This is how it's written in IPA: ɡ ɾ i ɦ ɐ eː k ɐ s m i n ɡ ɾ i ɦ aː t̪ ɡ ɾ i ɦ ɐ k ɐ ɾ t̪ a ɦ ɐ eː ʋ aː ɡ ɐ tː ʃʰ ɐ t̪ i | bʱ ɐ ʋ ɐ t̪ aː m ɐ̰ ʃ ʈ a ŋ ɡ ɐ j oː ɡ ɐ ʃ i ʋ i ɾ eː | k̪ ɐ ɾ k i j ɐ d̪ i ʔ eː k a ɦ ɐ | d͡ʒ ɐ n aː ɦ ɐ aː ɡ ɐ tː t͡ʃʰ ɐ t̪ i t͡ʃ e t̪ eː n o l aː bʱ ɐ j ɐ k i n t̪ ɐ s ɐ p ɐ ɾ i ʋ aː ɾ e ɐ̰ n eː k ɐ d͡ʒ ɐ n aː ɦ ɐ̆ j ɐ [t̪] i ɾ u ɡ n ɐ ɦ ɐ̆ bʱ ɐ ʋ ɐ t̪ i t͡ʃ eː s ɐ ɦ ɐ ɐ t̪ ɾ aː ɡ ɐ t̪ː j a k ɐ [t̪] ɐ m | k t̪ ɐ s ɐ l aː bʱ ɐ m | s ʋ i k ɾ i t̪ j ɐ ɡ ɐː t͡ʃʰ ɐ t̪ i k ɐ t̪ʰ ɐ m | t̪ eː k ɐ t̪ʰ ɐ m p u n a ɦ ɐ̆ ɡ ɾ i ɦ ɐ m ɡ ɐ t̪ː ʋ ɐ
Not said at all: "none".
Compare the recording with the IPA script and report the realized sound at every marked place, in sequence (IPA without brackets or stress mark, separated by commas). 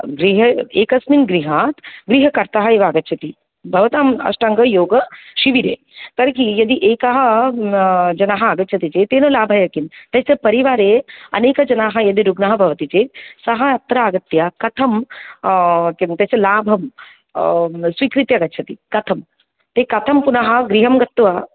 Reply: d̪, t̪ʰ